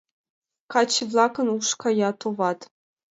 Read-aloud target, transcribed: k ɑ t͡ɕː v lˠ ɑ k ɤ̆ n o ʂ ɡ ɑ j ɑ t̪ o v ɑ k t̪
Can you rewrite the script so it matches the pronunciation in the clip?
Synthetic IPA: k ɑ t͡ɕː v lˠ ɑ k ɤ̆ n u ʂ k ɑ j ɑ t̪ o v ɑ t̪